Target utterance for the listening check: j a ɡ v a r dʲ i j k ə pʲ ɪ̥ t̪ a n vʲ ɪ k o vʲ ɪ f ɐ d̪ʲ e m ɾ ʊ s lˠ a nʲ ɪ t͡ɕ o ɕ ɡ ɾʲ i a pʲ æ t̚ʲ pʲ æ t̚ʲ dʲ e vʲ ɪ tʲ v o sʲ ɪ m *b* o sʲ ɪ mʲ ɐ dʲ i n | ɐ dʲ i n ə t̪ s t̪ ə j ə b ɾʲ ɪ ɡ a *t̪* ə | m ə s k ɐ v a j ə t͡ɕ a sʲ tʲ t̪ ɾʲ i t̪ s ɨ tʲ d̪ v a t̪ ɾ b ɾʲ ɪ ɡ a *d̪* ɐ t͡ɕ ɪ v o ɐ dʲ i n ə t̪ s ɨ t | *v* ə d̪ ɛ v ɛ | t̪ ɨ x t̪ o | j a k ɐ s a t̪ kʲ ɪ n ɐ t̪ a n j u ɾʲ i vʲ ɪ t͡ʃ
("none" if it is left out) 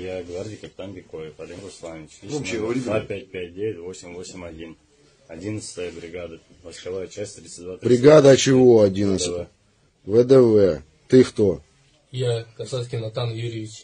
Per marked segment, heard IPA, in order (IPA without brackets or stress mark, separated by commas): v, d̪, d̪, v